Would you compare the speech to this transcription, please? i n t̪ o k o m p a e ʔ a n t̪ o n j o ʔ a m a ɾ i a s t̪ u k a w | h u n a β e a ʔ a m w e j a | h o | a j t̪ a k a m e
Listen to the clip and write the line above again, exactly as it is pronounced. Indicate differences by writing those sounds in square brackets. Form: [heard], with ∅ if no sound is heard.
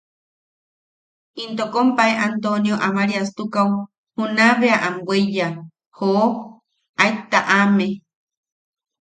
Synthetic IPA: i n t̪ o k o m p a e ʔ a n t̪ o n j o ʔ a m a ɾ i a s t̪ u k a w | h u n a β e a ʔ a m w e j a | h o | a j t̪ a [ʔ] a m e